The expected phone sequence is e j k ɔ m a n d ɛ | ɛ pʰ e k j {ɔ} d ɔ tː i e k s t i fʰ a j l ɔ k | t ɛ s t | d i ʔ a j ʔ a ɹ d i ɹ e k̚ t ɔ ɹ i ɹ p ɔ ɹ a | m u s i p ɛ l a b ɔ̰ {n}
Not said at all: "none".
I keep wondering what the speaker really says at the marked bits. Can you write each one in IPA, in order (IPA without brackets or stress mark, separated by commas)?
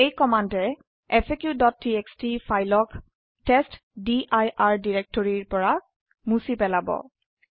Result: u, none